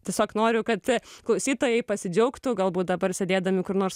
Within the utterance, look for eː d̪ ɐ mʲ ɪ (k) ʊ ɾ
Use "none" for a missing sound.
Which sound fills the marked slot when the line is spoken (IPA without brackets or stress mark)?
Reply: k